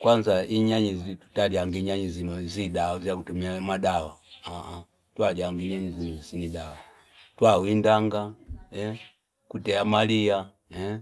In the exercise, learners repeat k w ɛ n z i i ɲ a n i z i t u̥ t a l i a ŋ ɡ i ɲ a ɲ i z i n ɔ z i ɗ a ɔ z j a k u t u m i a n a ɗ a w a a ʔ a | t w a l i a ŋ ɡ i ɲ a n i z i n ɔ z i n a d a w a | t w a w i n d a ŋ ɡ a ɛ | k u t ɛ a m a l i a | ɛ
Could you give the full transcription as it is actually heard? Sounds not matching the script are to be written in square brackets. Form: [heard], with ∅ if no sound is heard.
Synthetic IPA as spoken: k w [a] n z [a] i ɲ a [ɲ] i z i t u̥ t a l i a ŋ ɡ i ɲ a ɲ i z i n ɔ z i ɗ a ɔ z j a k u t u m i a [m] a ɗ a w a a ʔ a | t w a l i a ŋ ɡ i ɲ a [ɲ] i z i n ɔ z i n [i] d a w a | t w a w i n d a ŋ ɡ a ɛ | k u t ɛ a m a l i a | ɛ